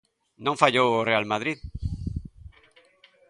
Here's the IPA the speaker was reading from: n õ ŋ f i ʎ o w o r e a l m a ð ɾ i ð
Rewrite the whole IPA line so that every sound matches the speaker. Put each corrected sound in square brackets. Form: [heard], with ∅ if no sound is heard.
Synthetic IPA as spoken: n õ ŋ f [a] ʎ o w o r e a l m a ð ɾ i ð